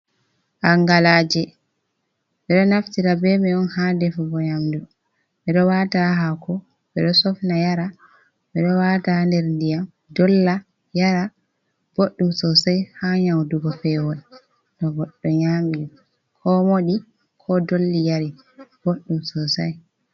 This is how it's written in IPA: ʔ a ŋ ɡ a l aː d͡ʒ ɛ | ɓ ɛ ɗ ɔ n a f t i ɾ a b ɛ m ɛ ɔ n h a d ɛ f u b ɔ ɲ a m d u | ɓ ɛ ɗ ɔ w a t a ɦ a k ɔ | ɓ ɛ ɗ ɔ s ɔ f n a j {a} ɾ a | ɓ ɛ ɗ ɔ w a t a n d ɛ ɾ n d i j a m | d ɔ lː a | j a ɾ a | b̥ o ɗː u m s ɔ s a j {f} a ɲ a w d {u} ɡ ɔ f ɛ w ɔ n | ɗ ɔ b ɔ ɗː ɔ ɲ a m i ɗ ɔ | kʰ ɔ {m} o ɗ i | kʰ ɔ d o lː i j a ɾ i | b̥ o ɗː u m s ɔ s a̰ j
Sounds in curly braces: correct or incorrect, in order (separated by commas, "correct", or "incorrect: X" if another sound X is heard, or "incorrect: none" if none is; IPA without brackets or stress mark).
correct, incorrect: h, correct, correct